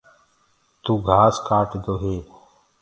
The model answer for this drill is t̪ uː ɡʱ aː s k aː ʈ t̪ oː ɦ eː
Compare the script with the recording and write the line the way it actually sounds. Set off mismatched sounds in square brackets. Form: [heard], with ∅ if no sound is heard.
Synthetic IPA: t̪ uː ɡʱ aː s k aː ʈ [d̪] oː ɦ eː